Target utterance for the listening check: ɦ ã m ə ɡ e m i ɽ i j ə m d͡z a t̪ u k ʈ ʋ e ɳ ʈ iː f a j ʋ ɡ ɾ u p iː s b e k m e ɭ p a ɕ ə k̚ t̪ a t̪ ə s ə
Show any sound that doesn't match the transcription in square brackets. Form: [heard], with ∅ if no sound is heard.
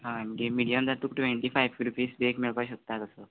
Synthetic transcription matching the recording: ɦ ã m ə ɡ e m i ɽ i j ə m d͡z a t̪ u k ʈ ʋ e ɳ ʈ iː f a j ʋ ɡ ɾ u p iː s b e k m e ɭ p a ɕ ə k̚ t̪ a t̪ ə s ə